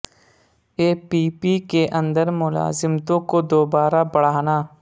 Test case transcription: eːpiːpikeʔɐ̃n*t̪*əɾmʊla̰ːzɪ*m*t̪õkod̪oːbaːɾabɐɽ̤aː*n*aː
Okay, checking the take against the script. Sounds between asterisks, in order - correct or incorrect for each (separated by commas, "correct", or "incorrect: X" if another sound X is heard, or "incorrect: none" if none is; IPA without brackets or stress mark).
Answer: incorrect: d̪, correct, correct